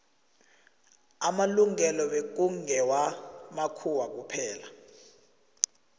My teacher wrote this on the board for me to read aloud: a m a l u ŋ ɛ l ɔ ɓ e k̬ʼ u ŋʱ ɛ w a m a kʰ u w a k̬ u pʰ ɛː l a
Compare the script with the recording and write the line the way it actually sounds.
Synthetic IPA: a m a l u ŋ ɛ l ɔ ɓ e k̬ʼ u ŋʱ ɛ w a m a kʰ u w a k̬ u pʰ ɛː l a